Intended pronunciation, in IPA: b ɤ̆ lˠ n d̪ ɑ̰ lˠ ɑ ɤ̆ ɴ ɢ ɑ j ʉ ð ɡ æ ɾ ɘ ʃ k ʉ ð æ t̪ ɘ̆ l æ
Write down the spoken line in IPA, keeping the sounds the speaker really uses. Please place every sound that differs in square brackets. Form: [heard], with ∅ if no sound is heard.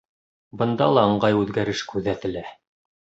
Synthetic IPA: b ɤ̆ [∅] n d̪ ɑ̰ lˠ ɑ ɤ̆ ɴ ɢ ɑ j ʉ ð ɡ æ ɾ ɘ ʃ k ʉ ð æ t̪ ɘ̆ l æ